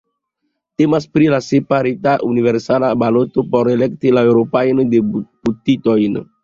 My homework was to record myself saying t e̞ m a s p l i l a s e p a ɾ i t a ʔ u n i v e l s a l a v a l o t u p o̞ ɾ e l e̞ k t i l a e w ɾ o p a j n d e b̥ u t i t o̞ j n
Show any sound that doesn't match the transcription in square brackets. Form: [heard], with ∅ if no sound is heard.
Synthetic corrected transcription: t e̞ m a s p [ɾ] i l a s e p a ɾ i t a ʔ u n i v e [ɾ] s a l a [b] a l o t [o] p o̞ ɾ e l e̞ k t i l a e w ɾ o p a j n d e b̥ u t i t o̞ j n